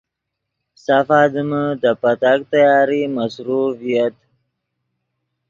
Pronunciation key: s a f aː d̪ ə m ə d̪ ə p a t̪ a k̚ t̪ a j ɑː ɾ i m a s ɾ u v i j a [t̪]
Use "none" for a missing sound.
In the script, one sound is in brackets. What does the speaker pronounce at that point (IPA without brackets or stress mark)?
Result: t̪